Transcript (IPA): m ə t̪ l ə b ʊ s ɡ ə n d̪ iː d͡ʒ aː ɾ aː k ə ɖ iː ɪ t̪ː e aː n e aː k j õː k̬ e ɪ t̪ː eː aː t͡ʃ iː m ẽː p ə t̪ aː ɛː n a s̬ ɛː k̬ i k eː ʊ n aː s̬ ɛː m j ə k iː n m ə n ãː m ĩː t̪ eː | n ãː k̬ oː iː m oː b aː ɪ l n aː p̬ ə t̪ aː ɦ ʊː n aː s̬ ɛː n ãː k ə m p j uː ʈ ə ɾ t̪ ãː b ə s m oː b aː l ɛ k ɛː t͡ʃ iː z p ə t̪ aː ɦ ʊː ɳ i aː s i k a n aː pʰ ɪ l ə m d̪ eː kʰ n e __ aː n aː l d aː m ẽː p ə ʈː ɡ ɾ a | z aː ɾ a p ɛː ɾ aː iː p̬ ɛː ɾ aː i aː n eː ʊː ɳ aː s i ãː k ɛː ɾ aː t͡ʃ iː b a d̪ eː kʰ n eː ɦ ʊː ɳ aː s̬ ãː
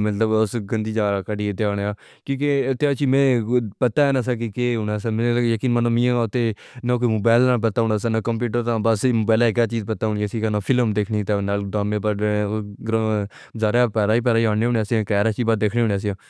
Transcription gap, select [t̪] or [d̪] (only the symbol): t̪